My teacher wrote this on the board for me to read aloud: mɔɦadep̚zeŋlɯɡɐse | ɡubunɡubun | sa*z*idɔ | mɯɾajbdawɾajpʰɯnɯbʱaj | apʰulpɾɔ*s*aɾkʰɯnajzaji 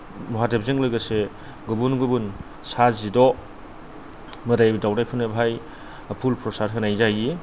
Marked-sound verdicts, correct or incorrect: correct, correct

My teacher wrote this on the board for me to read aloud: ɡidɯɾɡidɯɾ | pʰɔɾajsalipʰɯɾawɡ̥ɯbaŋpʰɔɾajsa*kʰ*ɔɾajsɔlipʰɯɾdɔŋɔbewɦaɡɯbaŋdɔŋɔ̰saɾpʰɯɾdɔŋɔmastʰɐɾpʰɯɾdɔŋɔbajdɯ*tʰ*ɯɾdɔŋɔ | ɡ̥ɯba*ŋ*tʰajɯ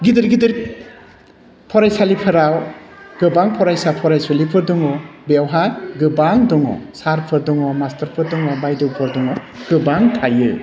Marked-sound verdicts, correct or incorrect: incorrect: pʰ, incorrect: pʰ, correct

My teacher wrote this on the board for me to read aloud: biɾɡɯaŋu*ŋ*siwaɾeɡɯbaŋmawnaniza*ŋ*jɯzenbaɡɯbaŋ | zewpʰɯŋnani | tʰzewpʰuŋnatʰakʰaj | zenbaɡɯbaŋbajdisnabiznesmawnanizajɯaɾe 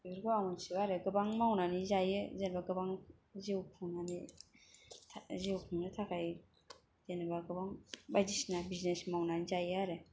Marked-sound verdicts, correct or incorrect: incorrect: n, incorrect: none

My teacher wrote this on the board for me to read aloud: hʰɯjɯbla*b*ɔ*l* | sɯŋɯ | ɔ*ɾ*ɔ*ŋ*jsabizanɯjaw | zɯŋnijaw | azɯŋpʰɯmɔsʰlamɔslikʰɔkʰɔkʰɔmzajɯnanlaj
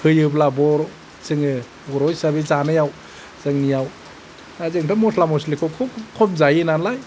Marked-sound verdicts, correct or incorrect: correct, incorrect: ɾ, correct, incorrect: none

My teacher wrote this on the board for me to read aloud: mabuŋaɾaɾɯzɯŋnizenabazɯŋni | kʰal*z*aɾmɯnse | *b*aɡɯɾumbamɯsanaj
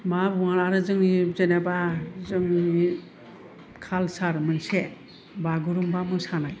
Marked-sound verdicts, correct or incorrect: incorrect: s, correct

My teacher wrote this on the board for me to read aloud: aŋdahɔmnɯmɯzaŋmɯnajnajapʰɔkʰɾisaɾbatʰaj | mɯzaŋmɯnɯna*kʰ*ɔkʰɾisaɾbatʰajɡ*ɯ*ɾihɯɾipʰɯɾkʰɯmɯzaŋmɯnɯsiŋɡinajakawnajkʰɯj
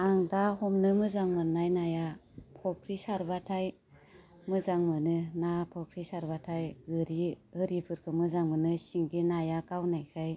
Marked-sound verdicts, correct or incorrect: incorrect: pʰ, correct

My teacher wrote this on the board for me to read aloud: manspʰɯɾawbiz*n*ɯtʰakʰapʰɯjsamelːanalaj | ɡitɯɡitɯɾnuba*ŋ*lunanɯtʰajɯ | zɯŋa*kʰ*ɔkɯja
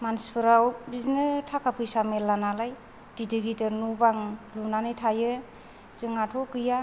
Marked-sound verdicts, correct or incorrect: correct, correct, incorrect: tʰ

